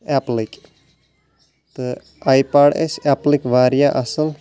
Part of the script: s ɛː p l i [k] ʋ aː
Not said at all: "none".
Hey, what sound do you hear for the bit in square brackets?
k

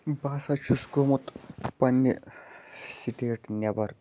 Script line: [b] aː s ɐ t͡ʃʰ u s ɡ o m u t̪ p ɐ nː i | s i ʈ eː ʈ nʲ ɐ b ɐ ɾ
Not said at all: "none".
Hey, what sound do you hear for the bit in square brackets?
b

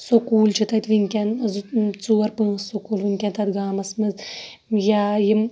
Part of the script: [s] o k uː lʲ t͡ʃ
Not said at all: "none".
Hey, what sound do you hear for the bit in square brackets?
s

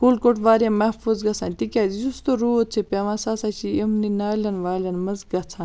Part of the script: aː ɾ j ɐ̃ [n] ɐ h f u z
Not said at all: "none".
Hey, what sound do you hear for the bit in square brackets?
m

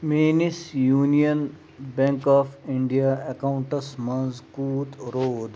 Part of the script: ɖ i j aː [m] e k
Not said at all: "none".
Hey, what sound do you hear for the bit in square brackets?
none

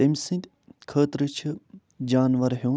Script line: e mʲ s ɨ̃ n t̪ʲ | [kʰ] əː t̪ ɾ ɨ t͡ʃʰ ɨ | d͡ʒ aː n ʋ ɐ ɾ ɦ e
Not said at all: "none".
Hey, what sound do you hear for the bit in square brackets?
kʰ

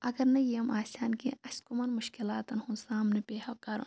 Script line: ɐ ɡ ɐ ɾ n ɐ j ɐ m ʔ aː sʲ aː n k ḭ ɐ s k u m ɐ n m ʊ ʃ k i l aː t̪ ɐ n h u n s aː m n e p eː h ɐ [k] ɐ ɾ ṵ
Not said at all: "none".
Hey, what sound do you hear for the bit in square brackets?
k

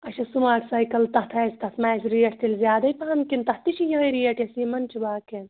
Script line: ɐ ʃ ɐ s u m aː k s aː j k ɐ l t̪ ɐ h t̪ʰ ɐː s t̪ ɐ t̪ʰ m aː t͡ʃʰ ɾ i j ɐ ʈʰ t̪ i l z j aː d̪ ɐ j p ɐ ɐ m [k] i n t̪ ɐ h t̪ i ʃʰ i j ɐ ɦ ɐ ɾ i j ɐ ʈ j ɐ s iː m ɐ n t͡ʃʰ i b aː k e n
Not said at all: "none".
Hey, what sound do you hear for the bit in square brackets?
k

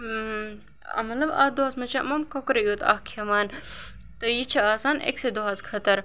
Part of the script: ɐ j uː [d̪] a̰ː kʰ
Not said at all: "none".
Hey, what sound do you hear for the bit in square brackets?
t̪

